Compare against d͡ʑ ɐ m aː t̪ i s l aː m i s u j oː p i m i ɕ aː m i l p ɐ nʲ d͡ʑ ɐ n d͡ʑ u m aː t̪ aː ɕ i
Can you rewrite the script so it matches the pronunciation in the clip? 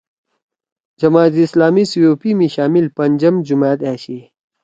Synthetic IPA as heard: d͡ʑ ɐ m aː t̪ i s l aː m i s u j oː p i m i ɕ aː m i l p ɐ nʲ d͡ʑ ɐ m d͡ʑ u m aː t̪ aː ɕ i